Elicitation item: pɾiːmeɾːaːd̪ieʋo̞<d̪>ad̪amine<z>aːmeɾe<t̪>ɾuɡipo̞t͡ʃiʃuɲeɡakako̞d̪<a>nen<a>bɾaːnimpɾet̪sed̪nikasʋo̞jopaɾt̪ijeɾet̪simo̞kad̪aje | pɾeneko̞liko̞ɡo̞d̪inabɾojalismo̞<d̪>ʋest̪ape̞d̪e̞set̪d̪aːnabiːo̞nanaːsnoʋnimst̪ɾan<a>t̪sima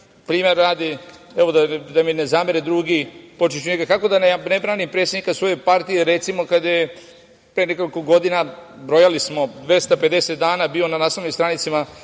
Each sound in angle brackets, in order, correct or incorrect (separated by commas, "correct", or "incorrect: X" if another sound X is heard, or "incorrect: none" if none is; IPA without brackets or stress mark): correct, correct, incorrect: d̪, correct, incorrect: e, correct, incorrect: i